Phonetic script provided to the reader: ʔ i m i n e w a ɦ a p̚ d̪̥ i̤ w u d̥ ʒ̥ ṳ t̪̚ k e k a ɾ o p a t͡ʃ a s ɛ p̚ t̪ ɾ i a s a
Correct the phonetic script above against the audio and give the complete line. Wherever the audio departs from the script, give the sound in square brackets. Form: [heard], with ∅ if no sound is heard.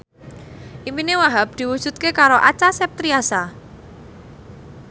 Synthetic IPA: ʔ i m i n e w a ɦ a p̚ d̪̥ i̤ w u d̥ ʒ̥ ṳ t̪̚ k e k a ɾ o [ʔ] a t͡ʃ a s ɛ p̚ t̪ ɾ i a s a